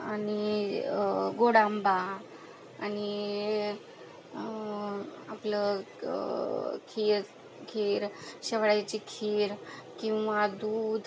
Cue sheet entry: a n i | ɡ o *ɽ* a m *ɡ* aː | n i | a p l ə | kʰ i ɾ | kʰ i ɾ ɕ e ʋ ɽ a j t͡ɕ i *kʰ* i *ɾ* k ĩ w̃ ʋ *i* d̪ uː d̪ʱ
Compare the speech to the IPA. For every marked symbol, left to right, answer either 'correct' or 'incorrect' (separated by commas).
correct, incorrect, correct, correct, incorrect